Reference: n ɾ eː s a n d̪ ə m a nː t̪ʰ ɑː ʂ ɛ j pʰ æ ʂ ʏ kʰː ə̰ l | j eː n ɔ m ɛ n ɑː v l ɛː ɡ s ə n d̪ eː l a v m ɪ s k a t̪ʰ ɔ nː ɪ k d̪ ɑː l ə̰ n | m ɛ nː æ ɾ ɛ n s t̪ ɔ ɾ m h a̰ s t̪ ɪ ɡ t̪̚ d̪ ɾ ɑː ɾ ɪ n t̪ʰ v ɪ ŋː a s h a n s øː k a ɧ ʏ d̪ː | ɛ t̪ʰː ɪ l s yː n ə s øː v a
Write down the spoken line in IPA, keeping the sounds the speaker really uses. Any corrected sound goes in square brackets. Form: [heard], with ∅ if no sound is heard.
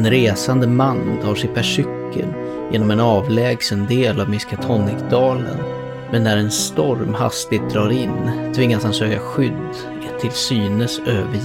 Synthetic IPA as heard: n ɾ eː s a n d̪ ə m a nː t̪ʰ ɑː ʂ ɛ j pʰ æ ʂ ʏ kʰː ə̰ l | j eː n ɔ m ɛ n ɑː v l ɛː ɡ s ə n d̪ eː l a v m ɪ s k a t̪ʰ ɔ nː ɪ k d̪ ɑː l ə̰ n | m ɛ nː æ ɾ ɛ n s t̪ ɔ ɾ m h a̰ s t̪ ɪ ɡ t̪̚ d̪ ɾ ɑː ɾ ɪ n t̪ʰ v ɪ ŋː a s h a n s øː k a ɧ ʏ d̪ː | ɛ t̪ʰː ɪ l s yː n ə s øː v [ə]